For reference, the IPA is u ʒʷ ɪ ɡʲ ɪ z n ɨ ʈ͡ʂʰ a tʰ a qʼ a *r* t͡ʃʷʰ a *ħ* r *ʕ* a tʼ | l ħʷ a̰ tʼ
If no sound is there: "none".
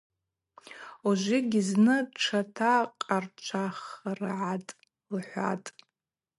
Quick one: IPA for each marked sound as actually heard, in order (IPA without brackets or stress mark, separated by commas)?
r, χ, ʕ